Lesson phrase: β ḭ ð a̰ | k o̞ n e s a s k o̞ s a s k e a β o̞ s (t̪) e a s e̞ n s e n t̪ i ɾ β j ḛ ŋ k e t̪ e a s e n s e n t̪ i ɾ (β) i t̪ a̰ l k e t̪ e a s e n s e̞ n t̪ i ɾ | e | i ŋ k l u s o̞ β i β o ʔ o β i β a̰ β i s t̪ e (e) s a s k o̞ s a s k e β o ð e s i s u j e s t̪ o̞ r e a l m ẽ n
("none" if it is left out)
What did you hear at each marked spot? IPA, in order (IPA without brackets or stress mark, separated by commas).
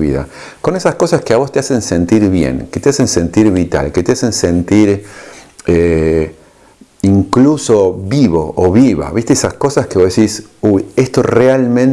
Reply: t̪, β, e